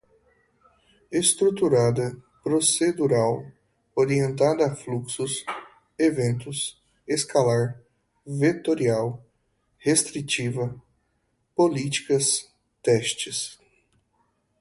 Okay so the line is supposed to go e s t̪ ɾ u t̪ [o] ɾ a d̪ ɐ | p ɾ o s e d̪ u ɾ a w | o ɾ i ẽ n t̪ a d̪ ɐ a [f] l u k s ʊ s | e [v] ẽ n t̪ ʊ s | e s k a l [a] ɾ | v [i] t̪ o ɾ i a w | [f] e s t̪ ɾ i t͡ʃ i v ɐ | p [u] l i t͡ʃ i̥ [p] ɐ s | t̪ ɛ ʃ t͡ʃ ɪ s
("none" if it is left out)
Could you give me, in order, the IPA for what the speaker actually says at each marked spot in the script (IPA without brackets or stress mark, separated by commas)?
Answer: u, f, v, a, e, h, o, k